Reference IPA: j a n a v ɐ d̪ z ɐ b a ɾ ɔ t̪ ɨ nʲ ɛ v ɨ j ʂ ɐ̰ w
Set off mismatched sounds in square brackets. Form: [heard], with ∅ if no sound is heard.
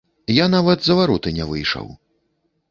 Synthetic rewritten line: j a n a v ɐ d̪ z ɐ [v] a ɾ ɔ t̪ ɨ nʲ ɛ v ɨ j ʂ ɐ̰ w